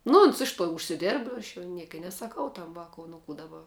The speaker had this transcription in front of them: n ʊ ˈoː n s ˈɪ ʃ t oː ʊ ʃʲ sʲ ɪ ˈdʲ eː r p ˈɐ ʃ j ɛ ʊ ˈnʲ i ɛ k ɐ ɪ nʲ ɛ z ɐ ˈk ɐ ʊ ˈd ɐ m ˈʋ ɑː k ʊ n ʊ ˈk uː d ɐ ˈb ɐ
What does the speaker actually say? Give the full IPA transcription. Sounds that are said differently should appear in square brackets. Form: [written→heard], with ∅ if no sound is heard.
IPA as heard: n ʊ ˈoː n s ˈɪ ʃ t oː ʊ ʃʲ sʲ ɪ ˈdʲ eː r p ˈɐ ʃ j ɛ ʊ ˈnʲ i ɛ k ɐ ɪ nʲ ɛ [z→s] ɐ ˈk ɐ ʊ [ˈd→ˈt] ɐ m ˈʋ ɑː k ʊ n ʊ ˈk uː d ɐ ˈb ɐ